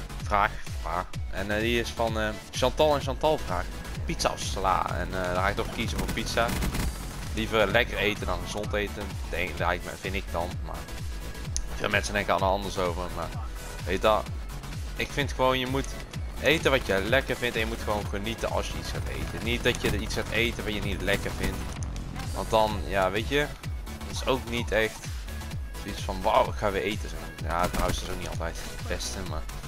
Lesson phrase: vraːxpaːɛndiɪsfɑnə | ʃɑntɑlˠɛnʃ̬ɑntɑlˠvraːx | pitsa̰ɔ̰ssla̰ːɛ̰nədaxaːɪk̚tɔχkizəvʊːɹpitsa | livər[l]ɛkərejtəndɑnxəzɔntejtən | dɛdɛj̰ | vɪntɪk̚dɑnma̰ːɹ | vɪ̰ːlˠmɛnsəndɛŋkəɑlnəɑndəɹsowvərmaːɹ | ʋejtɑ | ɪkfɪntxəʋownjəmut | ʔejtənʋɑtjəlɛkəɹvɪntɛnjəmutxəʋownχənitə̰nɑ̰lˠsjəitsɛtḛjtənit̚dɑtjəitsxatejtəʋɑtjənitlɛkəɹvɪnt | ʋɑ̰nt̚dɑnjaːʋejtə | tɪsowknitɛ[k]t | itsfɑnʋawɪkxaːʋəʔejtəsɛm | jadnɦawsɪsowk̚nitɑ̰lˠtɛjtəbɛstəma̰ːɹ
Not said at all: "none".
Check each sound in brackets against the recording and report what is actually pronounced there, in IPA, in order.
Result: l, x

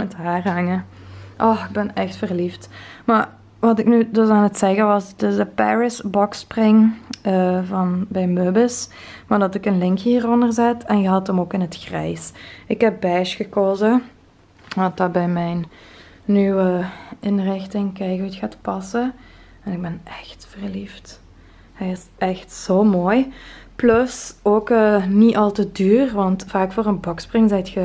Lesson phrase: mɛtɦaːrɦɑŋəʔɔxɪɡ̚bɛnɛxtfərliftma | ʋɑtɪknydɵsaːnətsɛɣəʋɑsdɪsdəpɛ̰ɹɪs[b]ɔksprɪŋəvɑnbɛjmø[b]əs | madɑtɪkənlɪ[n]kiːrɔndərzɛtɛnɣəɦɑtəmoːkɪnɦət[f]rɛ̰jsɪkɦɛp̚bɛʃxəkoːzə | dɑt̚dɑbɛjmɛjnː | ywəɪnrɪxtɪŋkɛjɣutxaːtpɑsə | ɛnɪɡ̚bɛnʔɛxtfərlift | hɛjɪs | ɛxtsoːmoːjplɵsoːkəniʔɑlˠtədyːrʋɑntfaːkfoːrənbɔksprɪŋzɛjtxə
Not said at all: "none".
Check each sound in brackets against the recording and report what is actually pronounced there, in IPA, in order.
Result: b, b, ŋ, x

